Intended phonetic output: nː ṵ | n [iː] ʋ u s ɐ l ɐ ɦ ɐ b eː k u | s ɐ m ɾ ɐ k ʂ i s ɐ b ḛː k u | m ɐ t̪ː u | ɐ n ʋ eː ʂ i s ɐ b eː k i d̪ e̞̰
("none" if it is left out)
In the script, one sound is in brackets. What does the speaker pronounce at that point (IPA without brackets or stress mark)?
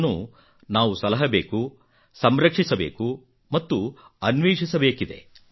aː